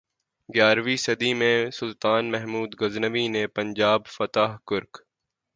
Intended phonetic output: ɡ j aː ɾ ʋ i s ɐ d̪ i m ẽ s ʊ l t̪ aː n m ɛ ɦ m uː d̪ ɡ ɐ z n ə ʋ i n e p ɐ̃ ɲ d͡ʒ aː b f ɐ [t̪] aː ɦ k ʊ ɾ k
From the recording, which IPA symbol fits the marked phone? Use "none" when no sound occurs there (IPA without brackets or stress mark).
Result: t̪